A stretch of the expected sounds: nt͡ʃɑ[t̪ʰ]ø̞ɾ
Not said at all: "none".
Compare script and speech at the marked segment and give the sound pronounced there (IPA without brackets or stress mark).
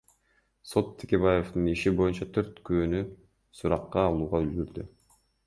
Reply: t̪ʰ